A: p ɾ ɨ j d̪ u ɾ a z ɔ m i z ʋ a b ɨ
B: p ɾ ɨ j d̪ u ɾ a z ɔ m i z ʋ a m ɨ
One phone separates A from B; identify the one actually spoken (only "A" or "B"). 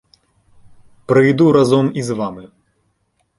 B